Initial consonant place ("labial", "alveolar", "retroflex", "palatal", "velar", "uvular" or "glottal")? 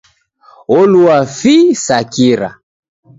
alveolar